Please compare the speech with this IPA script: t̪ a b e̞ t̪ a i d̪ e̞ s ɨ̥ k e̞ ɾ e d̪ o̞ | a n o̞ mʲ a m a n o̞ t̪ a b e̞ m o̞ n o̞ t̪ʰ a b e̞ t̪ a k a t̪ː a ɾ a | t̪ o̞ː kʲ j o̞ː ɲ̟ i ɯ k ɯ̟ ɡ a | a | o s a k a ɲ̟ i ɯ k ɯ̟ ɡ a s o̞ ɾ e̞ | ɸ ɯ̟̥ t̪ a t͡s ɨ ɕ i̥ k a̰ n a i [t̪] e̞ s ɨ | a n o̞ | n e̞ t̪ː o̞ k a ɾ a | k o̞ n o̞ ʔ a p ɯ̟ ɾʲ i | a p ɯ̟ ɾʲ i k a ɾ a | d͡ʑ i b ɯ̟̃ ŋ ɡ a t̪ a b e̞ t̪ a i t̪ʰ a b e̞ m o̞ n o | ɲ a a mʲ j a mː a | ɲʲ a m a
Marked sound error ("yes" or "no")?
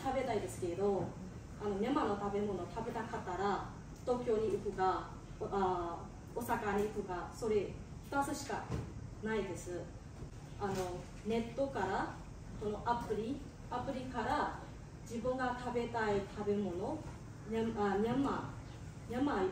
yes